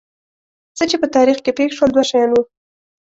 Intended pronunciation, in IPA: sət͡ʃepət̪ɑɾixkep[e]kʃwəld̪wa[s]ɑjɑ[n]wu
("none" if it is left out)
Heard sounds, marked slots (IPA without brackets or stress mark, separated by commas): e, ʃ, n